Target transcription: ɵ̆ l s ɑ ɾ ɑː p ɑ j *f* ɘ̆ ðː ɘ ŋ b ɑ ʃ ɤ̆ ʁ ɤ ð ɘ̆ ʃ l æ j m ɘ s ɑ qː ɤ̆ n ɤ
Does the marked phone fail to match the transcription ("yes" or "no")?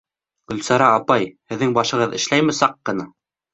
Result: yes